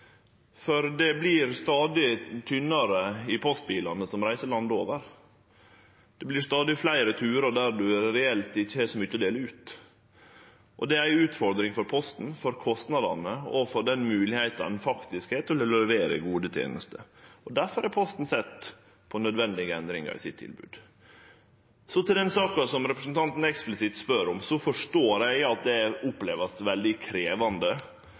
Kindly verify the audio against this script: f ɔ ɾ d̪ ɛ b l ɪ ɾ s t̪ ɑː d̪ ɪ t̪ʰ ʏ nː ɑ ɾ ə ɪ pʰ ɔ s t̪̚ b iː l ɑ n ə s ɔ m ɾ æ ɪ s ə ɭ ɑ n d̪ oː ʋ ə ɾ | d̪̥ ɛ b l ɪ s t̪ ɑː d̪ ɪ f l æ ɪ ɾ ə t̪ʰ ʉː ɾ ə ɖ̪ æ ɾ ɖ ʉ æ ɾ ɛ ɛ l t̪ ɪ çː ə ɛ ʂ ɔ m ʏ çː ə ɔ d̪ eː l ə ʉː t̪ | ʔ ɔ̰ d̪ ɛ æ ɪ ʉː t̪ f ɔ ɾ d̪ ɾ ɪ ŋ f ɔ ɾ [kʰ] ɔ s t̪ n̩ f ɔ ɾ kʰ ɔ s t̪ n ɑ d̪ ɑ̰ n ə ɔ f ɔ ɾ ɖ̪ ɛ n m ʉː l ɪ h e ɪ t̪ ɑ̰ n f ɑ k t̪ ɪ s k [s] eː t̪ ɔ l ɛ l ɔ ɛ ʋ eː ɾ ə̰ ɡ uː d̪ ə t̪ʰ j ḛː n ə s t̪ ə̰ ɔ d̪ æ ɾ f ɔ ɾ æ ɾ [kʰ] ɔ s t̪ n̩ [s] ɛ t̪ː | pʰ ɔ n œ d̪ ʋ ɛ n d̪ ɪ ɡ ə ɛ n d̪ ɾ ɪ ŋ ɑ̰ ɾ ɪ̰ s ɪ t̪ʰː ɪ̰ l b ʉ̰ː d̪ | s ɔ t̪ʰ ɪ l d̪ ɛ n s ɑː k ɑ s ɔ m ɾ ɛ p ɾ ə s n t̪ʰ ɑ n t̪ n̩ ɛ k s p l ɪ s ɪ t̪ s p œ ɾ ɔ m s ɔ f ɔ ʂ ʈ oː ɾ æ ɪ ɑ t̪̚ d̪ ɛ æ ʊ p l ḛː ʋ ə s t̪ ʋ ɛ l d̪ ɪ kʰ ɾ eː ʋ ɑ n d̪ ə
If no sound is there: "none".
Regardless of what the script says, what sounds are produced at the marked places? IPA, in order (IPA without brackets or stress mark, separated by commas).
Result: pʰ, h, pʰ, s